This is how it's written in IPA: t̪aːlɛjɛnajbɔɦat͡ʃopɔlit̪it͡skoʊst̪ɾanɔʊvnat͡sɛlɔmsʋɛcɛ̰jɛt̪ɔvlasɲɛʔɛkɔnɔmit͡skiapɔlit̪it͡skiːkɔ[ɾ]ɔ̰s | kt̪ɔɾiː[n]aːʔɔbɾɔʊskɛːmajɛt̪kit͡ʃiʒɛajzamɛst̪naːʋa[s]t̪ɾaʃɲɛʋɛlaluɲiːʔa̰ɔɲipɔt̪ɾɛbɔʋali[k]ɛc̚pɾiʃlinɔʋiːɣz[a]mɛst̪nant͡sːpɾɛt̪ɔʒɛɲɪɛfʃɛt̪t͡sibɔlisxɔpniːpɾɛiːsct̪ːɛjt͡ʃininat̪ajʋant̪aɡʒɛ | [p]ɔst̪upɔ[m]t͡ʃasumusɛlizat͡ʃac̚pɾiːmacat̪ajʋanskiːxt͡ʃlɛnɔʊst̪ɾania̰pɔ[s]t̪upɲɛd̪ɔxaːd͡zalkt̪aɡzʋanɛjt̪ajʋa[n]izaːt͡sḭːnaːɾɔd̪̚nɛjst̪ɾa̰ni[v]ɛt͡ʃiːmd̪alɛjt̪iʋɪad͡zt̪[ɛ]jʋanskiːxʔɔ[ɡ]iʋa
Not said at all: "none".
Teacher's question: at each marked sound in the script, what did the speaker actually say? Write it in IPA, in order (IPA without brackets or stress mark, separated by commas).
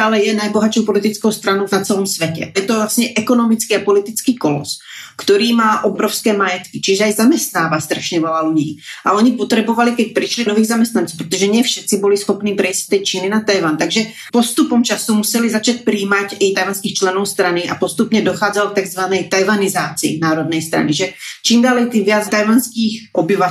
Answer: l, m, s, k, a, p, m, s, n, ʒ, a, b